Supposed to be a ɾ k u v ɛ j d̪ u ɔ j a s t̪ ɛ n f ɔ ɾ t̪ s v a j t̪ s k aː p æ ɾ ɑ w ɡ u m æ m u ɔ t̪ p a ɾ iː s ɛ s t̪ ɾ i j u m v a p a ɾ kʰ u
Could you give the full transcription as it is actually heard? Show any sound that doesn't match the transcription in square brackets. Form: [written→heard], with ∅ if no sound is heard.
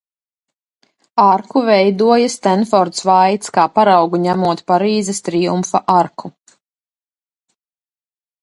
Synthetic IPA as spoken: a ɾ k u v ɛ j d̪ u ɔ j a s t̪ ɛ n f ɔ ɾ t̪ s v a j t̪ s k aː p [æ→a] ɾ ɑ w ɡ u [m→ɲ] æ m u ɔ t̪ p a ɾ iː [s→z] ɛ s t̪ ɾ i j u m [v→f] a [p→ʔ] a ɾ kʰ u